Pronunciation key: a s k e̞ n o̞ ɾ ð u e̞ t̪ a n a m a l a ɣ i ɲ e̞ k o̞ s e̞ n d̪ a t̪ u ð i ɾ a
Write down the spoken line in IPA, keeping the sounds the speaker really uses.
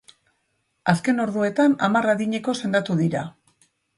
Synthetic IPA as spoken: a s k e̞ n o̞ ɾ ð u e̞ t̪ a n a m a r a ð i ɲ e̞ k o̞ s e̞ n d̪ a t̪ u ð i ɾ a